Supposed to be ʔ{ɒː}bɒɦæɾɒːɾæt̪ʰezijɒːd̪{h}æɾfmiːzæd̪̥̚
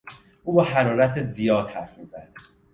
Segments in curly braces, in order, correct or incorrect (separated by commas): incorrect, correct